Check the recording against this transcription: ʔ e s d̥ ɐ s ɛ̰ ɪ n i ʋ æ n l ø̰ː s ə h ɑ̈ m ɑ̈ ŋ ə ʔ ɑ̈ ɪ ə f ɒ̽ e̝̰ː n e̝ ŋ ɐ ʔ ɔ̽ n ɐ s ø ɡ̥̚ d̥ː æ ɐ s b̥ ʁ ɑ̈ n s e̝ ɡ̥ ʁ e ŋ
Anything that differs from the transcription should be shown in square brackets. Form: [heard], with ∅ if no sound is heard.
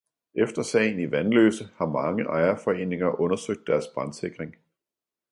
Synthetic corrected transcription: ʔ e [f] d̥ ɐ s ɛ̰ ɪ n i ʋ æ n l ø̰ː s ə h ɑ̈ m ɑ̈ ŋ ə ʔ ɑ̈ ɪ [ɐ] f ɒ̽ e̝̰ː n e̝ ŋ ɐ ʔ ɔ̽ n ɐ s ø ɡ̥̚ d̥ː æ ɐ s b̥ ʁ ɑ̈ n s e̝ ɡ̥ ʁ e ŋ